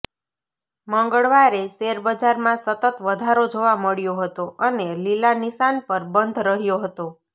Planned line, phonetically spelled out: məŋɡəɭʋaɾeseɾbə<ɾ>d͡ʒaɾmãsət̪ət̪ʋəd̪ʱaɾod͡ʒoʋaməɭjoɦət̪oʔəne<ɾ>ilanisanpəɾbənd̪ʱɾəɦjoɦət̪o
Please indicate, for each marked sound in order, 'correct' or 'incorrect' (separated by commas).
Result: incorrect, incorrect